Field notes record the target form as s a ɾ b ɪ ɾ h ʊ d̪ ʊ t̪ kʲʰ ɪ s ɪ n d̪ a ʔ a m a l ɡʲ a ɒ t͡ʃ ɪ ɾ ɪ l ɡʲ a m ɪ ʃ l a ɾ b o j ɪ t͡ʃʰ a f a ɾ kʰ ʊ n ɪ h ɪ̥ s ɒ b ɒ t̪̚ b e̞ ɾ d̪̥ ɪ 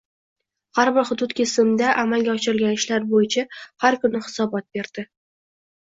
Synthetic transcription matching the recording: h a ɾ b ɪ ɾ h ʊ d̪ ʊ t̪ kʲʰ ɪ s ɪ m d̪ a ʔ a m a l ɡʲ a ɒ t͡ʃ ɪ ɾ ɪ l ɡʲ a n ɪ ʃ l a ɾ b o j ɪ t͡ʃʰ a h a ɾ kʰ ʊ n ɪ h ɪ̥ s ɒ b ɒ t̪̚ b e̞ ɾ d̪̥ ɪ